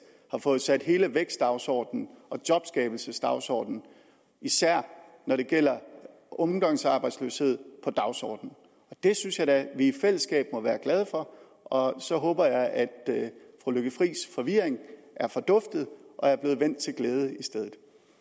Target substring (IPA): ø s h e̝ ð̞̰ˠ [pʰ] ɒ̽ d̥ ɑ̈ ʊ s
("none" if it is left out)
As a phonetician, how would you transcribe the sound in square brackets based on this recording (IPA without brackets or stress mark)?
pʰ